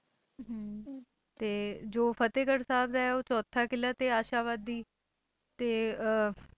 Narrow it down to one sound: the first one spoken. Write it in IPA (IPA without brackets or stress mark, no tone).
t̪